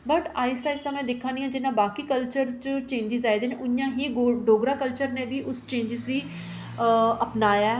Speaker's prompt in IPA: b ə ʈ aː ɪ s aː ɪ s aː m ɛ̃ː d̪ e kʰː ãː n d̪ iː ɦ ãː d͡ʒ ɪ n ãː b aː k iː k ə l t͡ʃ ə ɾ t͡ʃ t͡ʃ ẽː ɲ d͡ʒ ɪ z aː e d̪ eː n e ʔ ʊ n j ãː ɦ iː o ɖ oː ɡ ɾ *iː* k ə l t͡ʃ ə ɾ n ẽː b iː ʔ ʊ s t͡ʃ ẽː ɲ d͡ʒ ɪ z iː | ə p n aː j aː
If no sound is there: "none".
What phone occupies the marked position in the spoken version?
aː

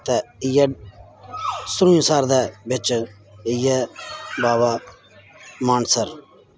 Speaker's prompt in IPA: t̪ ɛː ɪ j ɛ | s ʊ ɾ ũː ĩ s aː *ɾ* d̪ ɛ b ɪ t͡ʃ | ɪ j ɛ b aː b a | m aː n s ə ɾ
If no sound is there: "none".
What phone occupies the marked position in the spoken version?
ɾ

